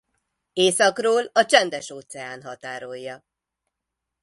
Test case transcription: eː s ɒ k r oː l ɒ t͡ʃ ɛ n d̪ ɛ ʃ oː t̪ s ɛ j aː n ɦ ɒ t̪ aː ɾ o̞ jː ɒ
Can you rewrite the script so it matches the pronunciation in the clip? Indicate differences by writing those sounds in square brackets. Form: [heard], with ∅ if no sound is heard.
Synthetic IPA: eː s ɒ k r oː l ɒ t͡ʃ ɛ n d̪ ɛ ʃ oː t̪ s ɛ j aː n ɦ ɒ t̪ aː ɾ o̞ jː ɒ